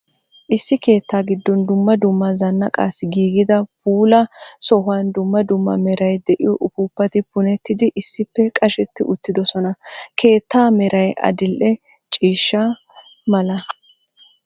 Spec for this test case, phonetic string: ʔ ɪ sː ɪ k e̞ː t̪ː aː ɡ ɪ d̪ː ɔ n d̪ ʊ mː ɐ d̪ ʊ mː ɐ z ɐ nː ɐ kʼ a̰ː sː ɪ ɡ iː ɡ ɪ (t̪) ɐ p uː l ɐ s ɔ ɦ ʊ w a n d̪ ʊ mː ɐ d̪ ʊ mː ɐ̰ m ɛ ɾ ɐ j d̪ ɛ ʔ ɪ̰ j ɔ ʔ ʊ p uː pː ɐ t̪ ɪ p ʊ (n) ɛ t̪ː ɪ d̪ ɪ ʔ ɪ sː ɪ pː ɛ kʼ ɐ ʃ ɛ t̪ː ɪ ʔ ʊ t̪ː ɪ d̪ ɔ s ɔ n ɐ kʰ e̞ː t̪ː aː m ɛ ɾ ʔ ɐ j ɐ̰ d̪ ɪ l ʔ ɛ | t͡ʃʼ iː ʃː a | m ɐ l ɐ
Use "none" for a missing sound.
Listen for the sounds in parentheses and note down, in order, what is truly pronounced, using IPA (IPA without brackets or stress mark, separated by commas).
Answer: d̪, n